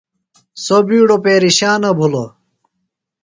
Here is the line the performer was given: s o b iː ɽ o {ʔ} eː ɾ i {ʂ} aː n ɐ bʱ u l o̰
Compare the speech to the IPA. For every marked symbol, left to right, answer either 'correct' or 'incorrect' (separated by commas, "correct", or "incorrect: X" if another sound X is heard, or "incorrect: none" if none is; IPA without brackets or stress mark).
incorrect: p, incorrect: ɕ